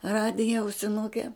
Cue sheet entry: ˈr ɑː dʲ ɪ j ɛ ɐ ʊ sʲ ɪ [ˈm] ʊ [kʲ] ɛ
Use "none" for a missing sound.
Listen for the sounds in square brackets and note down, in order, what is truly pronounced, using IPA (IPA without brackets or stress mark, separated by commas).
n, kʲ